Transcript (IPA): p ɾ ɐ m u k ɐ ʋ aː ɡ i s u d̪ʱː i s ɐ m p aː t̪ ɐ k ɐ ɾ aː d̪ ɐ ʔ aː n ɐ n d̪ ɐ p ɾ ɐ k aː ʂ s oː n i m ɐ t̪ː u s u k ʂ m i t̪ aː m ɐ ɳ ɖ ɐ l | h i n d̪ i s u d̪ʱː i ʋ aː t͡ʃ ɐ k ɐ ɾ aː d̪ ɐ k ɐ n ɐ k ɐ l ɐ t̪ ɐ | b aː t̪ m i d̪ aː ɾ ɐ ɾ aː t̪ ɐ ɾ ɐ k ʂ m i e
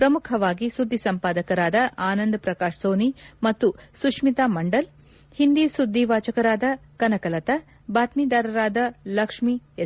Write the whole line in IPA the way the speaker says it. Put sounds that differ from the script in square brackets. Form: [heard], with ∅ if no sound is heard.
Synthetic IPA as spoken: p ɾ ɐ m u [kʰ] ɐ ʋ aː ɡ i s u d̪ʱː i s ɐ m p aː [d̪] ɐ k ɐ ɾ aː d̪ ɐ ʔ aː n ɐ n d̪ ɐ p ɾ ɐ k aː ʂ s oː n i m ɐ t̪ː u s u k ʂ m i t̪ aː m ɐ ɳ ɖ ɐ l | h i n d̪ i s u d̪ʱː i ʋ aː t͡ʃ ɐ k ɐ ɾ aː d̪ ɐ k ɐ n ɐ k ɐ l ɐ t̪ ɐ | b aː t̪ m i d̪ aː ɾ ɐ ɾ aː [d̪] ɐ [l] ɐ k ʂ m i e